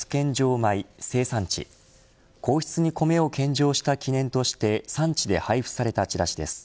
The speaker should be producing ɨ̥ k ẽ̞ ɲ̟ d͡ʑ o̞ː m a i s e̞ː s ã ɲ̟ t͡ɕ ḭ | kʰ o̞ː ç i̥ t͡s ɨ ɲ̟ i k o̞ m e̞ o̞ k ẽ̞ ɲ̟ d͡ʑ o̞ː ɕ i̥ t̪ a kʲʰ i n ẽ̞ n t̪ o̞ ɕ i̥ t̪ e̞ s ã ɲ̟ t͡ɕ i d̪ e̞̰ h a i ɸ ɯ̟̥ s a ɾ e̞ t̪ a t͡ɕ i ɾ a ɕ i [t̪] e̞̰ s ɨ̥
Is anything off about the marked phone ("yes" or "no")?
yes